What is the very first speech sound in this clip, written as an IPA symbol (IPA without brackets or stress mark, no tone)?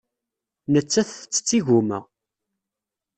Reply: n